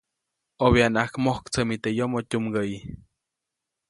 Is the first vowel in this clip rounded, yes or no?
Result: yes